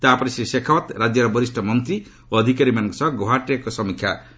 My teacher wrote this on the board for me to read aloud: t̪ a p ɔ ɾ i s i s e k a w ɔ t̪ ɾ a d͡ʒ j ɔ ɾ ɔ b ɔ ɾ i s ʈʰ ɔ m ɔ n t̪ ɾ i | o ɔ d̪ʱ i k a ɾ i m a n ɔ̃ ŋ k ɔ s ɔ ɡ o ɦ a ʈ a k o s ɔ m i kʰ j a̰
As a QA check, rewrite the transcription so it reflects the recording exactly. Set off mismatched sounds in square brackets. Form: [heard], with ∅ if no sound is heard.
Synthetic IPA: t̪ a p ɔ ɾ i s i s e [kʰ] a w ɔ t̪ ɾ a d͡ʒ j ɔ ɾ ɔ b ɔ ɾ i s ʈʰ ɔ m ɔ n t̪ ɾ i | o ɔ d̪ʱ i k a ɾ i m a n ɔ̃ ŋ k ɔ s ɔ ɡ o ɦ a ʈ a k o s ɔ m i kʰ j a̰

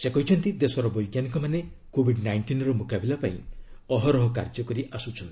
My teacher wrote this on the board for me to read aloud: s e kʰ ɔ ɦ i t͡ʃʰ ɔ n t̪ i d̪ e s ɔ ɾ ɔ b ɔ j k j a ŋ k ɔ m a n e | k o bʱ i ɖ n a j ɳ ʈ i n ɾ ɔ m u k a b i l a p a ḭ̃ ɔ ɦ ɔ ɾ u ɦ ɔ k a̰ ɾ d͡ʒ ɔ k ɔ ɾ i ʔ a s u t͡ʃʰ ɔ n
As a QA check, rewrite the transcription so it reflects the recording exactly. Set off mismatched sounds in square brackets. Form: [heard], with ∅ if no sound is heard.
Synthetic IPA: s e [k] ɔ ɦ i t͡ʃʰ ɔ n t̪ i d̪ e s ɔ ɾ ɔ b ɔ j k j a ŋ k ɔ m a n e | k o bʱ i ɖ n a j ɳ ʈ i n ɾ ɔ m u k a b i l a p a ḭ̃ ɔ ɦ ɔ ɾ [ɔ] ɦ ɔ k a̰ ɾ d͡ʒ ɔ k ɔ ɾ i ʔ a s u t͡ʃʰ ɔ n

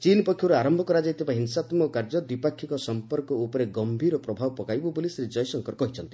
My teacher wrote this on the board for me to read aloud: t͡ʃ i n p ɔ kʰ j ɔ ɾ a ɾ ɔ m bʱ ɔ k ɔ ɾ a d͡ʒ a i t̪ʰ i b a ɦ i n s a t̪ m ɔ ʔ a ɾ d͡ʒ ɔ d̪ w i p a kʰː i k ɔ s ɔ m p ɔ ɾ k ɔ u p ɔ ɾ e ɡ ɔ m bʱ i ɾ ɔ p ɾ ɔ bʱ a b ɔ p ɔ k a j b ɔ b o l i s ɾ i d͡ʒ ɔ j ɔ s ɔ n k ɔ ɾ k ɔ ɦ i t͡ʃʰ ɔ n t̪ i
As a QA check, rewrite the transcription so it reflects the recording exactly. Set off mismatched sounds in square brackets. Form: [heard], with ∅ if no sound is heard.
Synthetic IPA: t͡ʃ i n p ɔ kʰ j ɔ ɾ a ɾ ɔ m bʱ ɔ k ɔ ɾ a d͡ʒ a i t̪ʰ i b a ɦ i n s a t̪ m ɔ [k] a ɾ d͡ʒ ɔ d̪ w i p a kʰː i k ɔ s ɔ m p ɔ ɾ k ɔ u p ɔ ɾ e ɡ ɔ m bʱ i ɾ ɔ p ɾ ɔ bʱ a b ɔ p ɔ k a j b ɔ b o l i s ɾ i d͡ʒ ɔ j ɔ s ɔ [ŋ] k ɔ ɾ k ɔ ɦ i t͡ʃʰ ɔ n t̪ i

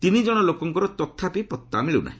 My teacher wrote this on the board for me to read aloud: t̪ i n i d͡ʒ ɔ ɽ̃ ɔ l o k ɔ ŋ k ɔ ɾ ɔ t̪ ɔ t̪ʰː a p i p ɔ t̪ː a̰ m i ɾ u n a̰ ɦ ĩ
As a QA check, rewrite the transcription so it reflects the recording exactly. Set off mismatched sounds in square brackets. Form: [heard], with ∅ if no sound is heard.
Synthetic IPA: t̪ i n i d͡ʒ ɔ ɽ̃ ɔ l o k ɔ ŋ k ɔ ɾ ɔ t̪ ɔ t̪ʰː a p i p ɔ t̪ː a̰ m i [ɭ] u n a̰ ɦ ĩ

